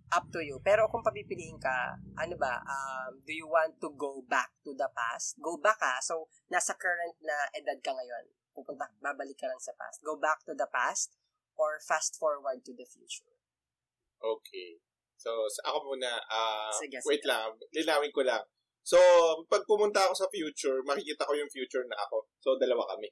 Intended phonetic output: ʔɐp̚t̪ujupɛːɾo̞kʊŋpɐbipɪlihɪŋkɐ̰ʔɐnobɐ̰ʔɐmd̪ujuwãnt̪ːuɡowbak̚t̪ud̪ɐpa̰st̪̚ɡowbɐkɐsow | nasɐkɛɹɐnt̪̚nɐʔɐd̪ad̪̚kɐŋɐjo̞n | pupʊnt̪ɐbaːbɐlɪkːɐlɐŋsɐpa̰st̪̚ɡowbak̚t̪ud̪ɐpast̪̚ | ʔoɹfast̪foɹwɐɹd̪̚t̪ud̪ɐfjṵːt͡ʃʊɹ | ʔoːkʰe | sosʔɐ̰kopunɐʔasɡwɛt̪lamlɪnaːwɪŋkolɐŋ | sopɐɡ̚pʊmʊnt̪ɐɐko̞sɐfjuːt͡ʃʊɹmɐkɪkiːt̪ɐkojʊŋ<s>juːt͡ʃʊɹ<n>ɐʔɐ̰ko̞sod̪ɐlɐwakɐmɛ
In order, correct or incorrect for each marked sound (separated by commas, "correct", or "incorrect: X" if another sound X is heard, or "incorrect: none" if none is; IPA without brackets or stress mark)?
incorrect: f, correct